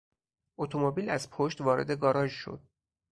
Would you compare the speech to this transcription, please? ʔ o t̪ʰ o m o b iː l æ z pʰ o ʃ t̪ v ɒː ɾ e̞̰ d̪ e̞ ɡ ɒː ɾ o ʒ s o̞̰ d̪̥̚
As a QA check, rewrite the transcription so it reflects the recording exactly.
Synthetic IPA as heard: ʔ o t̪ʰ o m o b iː l æ z pʰ o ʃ t̪ v ɒː ɾ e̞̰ d̪ e̞ ɡ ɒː ɾ ɒ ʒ ʃ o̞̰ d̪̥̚

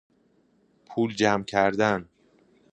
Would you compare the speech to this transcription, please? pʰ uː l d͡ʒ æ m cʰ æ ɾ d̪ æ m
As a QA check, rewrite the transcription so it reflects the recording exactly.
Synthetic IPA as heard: pʰ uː l d͡ʒ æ m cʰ æ ɾ d̪ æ n

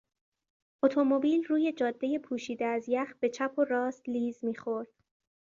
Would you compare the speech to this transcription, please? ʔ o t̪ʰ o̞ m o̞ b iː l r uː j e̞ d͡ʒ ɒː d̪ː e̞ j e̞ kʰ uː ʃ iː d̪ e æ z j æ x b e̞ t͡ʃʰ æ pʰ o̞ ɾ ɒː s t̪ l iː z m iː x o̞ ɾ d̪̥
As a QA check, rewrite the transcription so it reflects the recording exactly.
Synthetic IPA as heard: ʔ o t̪ʰ o̞ m o̞ b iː l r uː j e̞ d͡ʒ ɒː d̪ː e̞ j e̞ pʰ uː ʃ iː d̪ e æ z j æ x b e̞ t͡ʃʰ æ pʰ o̞ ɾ ɒː s t̪ l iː z m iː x o̞ ɾ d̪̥

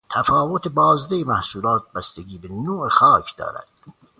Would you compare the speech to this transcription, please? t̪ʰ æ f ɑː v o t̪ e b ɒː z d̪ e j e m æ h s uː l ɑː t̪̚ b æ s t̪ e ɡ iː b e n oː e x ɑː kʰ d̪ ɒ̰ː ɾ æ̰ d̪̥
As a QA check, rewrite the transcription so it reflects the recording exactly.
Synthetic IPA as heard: t̪ʰ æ f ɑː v o t̪ e b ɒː z d̪ e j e m æ h s uː l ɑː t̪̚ b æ s t̪ e ɡ iː b e n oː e x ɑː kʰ d̪ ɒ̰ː ɾ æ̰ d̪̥

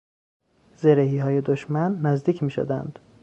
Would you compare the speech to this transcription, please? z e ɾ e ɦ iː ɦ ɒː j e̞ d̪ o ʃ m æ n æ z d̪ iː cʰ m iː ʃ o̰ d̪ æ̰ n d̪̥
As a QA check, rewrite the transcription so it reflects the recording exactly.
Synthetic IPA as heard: z e ɾ e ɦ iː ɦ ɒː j e̞ d̪ o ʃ m æ nː æ z d̪ iː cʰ m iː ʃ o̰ d̪ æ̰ n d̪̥

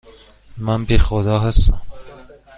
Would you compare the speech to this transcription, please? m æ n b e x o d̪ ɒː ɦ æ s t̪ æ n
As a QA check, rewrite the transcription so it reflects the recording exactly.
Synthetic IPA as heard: m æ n b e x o d̪ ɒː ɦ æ s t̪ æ m

